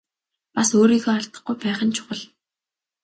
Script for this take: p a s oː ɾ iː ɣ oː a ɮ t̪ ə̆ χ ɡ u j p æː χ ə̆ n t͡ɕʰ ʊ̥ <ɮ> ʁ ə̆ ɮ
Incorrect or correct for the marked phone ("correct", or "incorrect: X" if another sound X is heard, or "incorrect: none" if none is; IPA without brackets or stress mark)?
incorrect: none